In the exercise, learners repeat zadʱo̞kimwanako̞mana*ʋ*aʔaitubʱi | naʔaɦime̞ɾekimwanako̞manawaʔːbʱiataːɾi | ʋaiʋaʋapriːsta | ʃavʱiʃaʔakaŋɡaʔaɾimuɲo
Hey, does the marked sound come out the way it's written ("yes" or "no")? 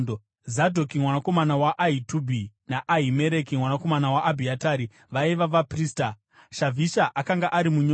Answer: no